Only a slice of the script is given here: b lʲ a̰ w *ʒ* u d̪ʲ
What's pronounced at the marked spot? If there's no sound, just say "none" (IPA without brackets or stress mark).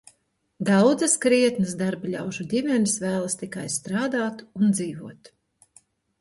ʒ